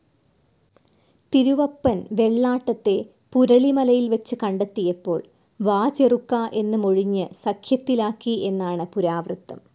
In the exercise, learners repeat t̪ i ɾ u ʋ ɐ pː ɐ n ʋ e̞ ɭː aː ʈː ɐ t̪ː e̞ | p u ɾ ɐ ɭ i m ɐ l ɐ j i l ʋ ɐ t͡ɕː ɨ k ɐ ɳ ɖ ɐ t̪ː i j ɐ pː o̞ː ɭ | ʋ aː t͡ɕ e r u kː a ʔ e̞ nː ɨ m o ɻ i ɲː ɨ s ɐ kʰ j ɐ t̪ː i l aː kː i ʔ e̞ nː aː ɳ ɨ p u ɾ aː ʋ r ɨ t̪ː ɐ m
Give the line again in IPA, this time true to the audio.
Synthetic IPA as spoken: t̪ i ɾ u ʋ ɐ pː ɐ n ʋ e̞ ɭː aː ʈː ɐ t̪ː e̞ | p u ɾ ɐ ɭ i m ɐ l ɐ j i l ʋ ɐ t͡ɕː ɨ k ɐ ɳ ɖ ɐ t̪ː i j ɐ pː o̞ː ɭ | ʋ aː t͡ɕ e r u kː a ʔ e̞ nː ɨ m o ɻ i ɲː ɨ s ɐ kʰ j ɐ t̪ː i l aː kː i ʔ e̞ nː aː ɳ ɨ p u ɾ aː ʋ r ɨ t̪ː ɐ m